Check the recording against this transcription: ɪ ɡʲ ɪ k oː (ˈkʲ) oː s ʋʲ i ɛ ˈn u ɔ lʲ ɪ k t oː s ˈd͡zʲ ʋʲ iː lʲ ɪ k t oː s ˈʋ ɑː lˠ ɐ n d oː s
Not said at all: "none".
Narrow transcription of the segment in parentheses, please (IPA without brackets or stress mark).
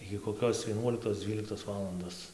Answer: kʲ